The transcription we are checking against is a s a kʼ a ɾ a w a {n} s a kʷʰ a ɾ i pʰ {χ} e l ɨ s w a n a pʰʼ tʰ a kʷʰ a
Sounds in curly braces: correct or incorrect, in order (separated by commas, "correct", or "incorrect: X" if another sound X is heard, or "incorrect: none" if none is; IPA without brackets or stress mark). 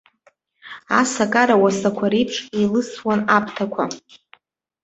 incorrect: none, incorrect: ʂ